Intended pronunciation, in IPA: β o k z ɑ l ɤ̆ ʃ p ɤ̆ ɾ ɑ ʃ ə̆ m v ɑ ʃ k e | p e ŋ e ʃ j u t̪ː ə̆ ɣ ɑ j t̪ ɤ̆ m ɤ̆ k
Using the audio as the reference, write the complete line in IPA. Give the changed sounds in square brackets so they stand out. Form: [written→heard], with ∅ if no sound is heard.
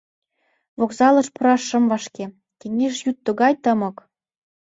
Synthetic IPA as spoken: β o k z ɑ l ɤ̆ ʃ p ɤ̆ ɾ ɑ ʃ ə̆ m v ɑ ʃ k e | [p→k] e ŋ e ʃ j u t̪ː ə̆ ɣ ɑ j t̪ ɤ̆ m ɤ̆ k